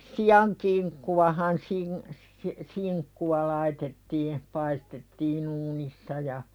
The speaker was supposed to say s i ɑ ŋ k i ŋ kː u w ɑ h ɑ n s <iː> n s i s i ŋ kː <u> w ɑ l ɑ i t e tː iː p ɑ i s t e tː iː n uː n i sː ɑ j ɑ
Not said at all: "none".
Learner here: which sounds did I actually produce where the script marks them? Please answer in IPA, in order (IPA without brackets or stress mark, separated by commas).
i, u